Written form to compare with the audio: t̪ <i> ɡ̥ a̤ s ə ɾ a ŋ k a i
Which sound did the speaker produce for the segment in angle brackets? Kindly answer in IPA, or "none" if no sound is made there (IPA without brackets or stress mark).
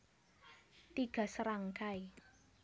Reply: i